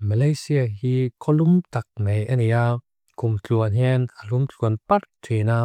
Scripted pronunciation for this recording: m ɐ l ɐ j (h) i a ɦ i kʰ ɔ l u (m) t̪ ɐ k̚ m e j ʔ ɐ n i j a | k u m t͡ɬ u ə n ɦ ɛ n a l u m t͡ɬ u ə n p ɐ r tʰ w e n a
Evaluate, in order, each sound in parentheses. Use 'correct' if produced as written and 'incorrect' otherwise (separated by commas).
incorrect, correct